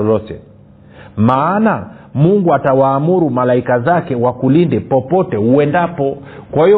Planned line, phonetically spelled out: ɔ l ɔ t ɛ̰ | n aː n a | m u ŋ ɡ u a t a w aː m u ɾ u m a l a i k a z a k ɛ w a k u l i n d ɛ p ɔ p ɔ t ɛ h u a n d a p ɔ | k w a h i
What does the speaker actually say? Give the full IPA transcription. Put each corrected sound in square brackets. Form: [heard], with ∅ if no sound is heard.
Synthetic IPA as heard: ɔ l ɔ t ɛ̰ | [m] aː n a | m u ŋ ɡ u a t a w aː m u ɾ u m a l a i k a z a k ɛ w a k u l i n d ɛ p ɔ p ɔ t ɛ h u [ɛ] n d a p ɔ | k w a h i